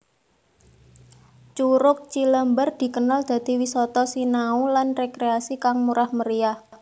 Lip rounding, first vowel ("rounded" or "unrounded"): rounded